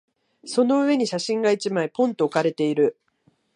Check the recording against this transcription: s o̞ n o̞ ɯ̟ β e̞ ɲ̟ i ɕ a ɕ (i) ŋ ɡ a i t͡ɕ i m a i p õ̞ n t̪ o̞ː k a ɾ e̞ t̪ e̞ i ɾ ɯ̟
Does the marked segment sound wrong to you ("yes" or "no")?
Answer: yes